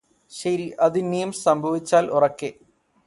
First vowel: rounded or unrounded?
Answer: unrounded